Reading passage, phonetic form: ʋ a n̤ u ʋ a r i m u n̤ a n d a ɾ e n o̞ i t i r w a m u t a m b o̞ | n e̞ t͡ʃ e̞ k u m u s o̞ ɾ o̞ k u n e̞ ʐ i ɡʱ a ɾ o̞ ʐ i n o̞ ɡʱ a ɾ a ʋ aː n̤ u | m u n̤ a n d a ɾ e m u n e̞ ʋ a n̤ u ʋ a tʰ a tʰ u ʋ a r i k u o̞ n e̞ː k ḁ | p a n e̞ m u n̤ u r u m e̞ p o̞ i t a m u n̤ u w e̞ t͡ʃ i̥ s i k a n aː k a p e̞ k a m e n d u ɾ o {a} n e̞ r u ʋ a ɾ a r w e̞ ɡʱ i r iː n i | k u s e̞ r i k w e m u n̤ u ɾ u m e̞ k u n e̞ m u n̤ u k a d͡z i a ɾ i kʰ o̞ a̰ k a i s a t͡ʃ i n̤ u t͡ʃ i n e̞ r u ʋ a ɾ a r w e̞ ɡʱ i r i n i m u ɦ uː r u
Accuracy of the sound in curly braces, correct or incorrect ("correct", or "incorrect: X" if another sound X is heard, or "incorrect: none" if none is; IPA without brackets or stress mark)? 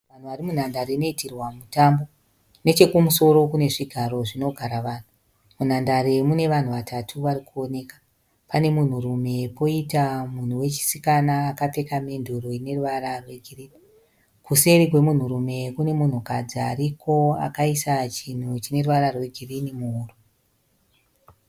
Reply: incorrect: i